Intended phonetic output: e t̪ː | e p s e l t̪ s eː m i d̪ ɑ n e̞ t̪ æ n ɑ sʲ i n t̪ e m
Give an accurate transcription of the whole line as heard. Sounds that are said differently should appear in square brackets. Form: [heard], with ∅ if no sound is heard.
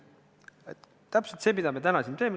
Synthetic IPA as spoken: e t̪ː | [æ] p s e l t̪ s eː m i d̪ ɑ [m] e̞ t̪ æ n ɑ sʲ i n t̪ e m